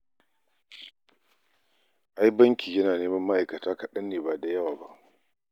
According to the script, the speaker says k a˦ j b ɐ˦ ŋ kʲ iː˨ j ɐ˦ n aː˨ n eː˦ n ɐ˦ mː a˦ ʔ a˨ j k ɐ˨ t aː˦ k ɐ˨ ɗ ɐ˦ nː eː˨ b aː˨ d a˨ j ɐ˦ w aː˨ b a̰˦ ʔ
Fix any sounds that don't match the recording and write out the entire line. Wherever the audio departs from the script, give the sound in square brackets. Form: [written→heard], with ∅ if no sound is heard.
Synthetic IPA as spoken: [k→ʔ] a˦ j b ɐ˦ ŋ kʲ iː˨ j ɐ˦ n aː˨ n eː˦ [n→m] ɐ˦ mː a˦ ʔ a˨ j k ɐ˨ t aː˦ k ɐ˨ ɗ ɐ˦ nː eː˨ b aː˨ d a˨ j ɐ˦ w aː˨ b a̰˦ ʔ